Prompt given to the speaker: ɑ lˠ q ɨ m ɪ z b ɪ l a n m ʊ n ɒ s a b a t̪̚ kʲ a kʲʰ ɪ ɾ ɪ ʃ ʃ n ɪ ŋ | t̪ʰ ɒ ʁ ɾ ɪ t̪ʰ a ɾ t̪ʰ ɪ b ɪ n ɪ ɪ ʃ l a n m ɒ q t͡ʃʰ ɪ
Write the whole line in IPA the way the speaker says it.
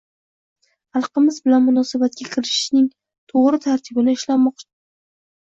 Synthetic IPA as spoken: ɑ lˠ q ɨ m ɪ z b ɪ l a n m ʊ n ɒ s a b a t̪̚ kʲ a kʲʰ ɪ ɾ ɪ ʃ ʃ n ɪ ŋ | t̪ʰ o ʁ ɾ ɪ t̪ʰ a ɾ t̪ʰ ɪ b ɪ n ɪ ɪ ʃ l a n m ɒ q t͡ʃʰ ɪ

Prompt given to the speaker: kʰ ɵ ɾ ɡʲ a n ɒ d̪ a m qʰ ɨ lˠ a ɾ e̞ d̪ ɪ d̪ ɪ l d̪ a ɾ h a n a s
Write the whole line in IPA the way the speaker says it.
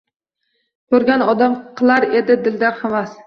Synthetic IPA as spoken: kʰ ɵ ɾ ɡʲ a n ɒ d̪ a m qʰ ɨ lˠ a ɾ e̞ d̪ ɪ d̪ ɪ l d̪ a ɾ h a m a s

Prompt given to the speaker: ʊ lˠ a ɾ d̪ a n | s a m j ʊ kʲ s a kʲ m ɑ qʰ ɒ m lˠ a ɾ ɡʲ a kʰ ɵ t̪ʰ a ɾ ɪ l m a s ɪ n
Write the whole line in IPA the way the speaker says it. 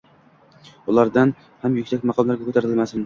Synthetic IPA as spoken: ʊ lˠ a ɾ d̪ a n | h a m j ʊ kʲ s a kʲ m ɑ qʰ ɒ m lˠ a ɾ ɡʲ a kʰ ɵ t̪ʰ a ɾ ɪ l m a s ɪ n

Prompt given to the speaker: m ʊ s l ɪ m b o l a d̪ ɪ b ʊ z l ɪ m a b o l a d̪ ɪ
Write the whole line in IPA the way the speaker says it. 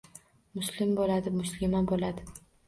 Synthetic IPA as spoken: m ʊ s l ɪ m b o l a d̪ ɪ m ʊ s l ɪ m a b o l a d̪ ɪ

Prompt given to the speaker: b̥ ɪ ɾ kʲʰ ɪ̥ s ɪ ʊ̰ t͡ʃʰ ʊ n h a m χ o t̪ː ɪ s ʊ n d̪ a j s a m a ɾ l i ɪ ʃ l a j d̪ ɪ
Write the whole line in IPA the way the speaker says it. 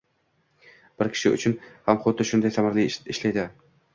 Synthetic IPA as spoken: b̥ ɪ ɾ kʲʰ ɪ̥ ʃ ɪ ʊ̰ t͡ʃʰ ʊ n h a m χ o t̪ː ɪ ʃ ʊ n d̪ a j s a m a ɾ l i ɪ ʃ l a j d̪ ɪ

